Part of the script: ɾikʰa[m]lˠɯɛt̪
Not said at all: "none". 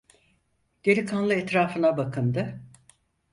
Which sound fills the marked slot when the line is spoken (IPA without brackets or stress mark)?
n